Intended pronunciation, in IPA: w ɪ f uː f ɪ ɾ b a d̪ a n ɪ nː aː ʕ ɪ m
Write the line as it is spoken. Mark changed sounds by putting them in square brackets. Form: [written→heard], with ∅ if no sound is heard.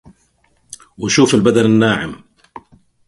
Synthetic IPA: w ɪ [f→ʃ] uː f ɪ [ɾ→l] b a d̪ a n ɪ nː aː ʕ ɪ m

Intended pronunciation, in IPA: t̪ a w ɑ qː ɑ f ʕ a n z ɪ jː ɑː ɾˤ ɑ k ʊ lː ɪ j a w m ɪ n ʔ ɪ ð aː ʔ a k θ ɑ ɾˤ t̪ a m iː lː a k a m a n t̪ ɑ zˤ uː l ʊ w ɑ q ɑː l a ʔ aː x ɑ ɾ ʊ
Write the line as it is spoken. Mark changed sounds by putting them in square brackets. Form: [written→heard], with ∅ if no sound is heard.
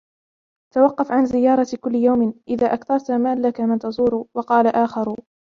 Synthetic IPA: t̪ a w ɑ qː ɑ f ʕ a n z ɪ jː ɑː ɾˤ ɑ k ʊ lː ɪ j a w m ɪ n ʔ ɪ ð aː ʔ a k θ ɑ ɾˤ t̪ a m [iː→aː] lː a k a m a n t̪ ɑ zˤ uː [l→ɾ] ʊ w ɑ q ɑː l a ʔ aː x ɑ ɾ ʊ

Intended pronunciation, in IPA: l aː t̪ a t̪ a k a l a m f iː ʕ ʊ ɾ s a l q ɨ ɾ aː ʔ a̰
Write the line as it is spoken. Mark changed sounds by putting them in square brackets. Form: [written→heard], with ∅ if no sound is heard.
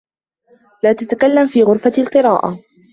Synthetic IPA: l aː t̪ a t̪ a k a [l→lː] a m f iː [ʕ→ɣ] ʊ ɾ [s→f] a l q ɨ ɾ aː ʔ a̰

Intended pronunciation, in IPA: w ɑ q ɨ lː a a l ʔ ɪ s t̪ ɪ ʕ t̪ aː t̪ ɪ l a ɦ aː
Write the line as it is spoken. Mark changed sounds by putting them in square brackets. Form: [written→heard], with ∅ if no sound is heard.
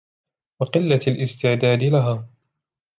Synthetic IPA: w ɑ q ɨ lː a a l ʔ ɪ s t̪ ɪ ʕ [t̪→d̪] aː [t̪→d̪] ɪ l a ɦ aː

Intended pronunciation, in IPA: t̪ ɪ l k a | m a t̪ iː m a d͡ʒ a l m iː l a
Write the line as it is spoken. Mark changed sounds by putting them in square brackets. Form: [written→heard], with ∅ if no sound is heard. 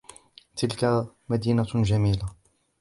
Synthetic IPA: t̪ ɪ l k a | m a [t̪→d̪] iː [m→n] a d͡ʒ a [l→∅] m iː l a

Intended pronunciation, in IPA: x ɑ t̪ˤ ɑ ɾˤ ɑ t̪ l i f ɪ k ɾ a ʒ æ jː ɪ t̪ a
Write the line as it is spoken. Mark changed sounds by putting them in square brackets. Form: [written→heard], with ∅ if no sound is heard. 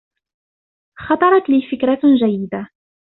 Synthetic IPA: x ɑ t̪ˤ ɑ ɾˤ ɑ t̪ l i f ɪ k ɾ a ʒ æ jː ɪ [t̪→d̪] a

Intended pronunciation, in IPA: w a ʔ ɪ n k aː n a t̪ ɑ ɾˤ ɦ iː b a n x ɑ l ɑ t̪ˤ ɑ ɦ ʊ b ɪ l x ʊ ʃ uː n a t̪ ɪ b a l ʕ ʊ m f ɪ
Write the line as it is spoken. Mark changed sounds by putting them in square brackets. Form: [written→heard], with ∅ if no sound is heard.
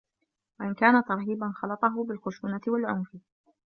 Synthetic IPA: w a ʔ ɪ n k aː n a t̪ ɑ ɾˤ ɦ iː b a n x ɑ l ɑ t̪ˤ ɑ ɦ ʊ b ɪ l x ʊ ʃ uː n a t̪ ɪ [b→w] a l ʕ ʊ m f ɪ

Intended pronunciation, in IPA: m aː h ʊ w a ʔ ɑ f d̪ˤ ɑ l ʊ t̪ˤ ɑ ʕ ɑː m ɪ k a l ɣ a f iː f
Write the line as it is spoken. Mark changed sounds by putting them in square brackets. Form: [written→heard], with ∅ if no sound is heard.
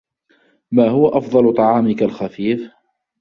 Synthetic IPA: m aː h ʊ w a ʔ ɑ f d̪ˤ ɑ l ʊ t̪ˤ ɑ ʕ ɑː m ɪ k a l [ɣ→x] a f iː f

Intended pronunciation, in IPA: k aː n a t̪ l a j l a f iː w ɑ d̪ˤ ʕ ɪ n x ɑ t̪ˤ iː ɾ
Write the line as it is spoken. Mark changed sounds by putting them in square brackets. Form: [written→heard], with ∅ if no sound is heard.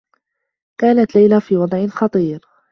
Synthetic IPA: k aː n a t̪ l a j l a f iː w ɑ d̪ˤ ʕ ɪ n x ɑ t̪ˤ iː ɾ

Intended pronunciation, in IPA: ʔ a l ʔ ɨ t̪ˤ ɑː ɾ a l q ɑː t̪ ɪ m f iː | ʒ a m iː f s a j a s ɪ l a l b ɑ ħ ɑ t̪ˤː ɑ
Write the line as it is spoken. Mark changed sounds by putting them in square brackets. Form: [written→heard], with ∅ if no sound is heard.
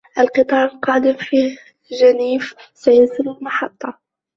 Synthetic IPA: ʔ a l [ʔ→q] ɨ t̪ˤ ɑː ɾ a l q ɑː [t̪→d̪] ɪ m f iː | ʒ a [m→n] iː f s a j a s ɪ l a l [b→m] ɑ ħ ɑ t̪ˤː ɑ

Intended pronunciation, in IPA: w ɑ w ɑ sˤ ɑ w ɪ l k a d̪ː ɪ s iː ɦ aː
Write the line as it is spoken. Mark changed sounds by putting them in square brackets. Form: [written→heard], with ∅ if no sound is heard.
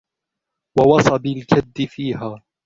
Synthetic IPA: w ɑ w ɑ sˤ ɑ [w→b] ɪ l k a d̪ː ɪ [s→f] iː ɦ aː

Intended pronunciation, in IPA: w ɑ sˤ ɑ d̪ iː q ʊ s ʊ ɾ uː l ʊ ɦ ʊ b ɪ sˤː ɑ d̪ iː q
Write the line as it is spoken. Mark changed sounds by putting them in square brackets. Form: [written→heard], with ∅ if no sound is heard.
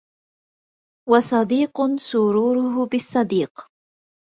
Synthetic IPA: w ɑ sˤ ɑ d̪ iː q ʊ s ʊ ɾ uː [l→ɾ] ʊ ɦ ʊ b ɪ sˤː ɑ d̪ iː q

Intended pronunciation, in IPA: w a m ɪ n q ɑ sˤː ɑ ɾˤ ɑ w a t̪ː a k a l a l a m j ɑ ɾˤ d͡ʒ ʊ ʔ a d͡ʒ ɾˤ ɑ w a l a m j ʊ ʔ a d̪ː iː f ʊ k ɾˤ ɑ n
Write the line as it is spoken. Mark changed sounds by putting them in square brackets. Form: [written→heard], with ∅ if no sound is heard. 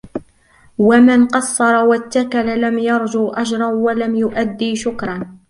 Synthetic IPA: w a m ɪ n q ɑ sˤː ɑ ɾˤ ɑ w a t̪ː a k a l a l a m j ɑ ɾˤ d͡ʒ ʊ ʔ a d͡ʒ ɾˤ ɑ w a l a m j ʊ ʔ a d̪ː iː [f→ʃ] ʊ k ɾˤ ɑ n

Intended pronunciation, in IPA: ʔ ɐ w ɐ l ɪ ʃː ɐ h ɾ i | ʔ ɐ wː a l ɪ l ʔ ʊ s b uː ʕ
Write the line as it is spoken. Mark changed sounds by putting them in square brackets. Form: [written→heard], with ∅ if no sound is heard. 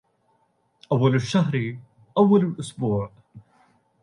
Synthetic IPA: ʔ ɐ [w→wː] ɐ l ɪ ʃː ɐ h ɾ i | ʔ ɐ wː [a→ɐ] l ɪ l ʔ ʊ s b uː ʕ

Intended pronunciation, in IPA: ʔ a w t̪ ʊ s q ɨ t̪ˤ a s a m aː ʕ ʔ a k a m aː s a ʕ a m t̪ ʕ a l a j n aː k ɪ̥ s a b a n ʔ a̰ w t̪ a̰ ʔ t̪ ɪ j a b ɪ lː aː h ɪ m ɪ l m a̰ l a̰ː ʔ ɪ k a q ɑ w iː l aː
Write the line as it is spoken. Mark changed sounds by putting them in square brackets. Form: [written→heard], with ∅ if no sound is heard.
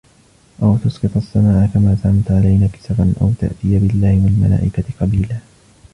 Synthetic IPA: ʔ a w t̪ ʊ s q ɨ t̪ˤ a [s→sː] a m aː ʕ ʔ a k a m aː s a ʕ a m t̪ ʕ a l a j n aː k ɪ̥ s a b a n ʔ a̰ w t̪ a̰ ʔ t̪ ɪ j a b ɪ lː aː h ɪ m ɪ l m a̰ l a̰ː ʔ ɪ k a q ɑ [w→b] iː l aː

